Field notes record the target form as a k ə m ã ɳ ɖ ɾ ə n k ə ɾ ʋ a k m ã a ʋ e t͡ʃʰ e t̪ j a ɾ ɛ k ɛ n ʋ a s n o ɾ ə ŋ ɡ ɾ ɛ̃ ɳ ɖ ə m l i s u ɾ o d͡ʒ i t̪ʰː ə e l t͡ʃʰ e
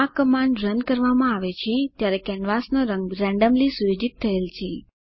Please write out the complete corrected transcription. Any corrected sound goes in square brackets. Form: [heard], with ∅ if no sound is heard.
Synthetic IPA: a k ə m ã ɳ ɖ ɾ ə n k ə ɾ ʋ a [∅] m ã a ʋ e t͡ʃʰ e t̪ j a ɾ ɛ k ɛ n ʋ a s n o ɾ ə ŋ ɡ ɾ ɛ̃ ɳ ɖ ə m l i s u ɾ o d͡ʒ i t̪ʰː ə e l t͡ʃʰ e